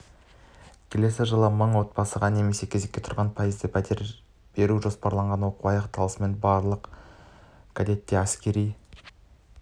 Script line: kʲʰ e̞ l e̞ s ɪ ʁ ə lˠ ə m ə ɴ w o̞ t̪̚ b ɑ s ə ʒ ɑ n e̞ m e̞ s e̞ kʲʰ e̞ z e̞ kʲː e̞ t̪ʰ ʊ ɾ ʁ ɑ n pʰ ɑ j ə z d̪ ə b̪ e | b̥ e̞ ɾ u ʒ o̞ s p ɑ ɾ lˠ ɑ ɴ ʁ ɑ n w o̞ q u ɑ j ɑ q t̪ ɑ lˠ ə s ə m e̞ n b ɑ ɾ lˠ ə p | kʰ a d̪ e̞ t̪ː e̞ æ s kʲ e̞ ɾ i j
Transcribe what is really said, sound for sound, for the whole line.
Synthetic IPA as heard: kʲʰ e̞ l e̞ s ɪ ʒ ə lˠ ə m ə ɴ w o̞ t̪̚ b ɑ s ə ʁ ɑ n e̞ m e̞ s e̞ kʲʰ e̞ z e̞ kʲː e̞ t̪ʰ ʊ ɾ ʁ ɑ n pʰ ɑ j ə z d̪ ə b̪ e | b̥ e̞ ɾ u ʒ o̞ s p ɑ ɾ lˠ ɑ ɴ ʁ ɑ n w o̞ q u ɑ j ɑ q t̪ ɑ lˠ ə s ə m e̞ n b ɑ ɾ lˠ ə q | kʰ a d̪ e̞ t̪ː e̞ æ s kʲ e̞ ɾ i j